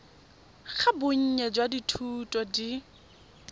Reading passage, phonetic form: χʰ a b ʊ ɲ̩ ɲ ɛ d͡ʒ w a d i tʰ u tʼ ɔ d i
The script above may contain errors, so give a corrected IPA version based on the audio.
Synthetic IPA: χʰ a b ʊ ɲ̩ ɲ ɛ d͡ʒ w a d i tʰ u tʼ ɔ d i